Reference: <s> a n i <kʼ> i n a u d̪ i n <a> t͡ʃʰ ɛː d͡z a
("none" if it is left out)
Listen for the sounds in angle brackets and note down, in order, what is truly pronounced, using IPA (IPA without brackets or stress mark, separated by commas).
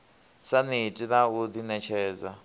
s, tʼ, ɛ